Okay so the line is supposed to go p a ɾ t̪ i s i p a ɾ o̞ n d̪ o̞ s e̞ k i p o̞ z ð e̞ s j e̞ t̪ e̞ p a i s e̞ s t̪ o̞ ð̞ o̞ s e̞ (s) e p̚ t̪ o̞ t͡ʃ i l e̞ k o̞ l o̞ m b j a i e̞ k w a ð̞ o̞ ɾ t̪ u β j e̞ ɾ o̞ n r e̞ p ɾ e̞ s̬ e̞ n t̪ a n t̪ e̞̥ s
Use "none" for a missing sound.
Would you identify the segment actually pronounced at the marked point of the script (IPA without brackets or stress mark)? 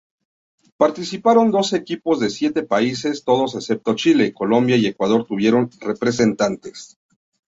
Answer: s